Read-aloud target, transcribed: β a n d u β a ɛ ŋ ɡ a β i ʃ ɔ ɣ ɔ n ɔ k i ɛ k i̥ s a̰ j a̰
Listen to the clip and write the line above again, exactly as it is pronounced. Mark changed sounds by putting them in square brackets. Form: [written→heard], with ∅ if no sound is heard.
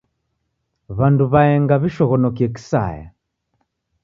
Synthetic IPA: β a n d u β a ɛ ŋ ɡ a β i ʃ ɔ ɣ ɔ n ɔ k i ɛ k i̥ s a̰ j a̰